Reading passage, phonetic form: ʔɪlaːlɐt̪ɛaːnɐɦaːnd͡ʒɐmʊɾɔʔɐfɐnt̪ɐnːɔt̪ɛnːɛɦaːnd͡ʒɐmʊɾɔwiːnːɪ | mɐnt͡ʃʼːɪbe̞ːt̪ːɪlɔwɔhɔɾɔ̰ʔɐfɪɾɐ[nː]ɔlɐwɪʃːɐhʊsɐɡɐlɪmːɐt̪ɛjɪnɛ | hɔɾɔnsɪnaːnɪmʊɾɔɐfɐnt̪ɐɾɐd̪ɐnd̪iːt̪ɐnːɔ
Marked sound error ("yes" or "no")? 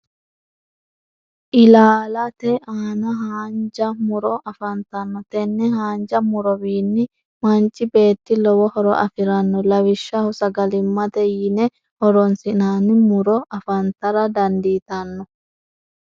no